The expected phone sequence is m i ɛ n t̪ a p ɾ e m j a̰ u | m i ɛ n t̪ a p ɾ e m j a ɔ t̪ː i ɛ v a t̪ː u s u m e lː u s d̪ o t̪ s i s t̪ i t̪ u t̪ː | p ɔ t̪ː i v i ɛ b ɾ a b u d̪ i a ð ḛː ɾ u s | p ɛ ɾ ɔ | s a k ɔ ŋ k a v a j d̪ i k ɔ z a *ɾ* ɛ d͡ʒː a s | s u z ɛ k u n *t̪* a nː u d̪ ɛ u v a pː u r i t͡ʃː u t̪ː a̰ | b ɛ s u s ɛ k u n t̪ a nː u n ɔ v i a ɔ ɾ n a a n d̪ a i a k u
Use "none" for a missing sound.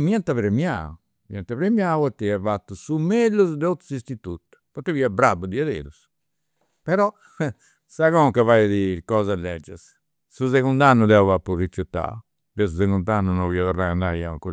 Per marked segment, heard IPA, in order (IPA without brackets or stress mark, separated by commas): l, d̪